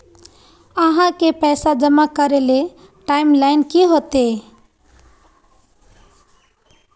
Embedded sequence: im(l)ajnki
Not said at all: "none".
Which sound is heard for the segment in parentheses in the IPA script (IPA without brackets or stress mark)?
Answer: l